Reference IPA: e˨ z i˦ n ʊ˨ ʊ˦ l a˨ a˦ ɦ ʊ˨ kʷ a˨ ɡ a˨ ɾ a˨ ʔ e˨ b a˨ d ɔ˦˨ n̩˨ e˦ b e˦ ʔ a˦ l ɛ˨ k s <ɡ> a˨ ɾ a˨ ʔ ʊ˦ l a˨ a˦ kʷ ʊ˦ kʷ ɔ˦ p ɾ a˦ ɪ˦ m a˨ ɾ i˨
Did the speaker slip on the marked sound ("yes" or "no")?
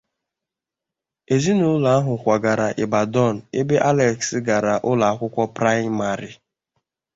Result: no